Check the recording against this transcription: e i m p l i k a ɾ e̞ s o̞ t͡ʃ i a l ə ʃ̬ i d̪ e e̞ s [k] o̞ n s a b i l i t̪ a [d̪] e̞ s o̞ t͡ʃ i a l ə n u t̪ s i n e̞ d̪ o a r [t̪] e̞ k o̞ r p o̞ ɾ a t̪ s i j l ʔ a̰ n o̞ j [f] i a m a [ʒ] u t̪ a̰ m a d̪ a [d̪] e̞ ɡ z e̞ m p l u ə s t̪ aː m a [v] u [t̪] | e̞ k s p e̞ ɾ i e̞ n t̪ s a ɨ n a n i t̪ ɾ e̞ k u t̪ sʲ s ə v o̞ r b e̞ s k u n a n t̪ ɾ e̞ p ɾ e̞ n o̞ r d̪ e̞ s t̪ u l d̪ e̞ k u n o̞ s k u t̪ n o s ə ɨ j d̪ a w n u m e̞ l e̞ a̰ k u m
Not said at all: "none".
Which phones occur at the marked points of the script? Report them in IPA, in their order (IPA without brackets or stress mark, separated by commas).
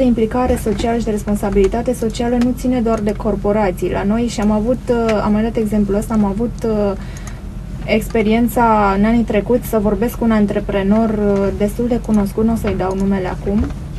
p, t̪, d̪, ʃ, v, t̪, v, t̪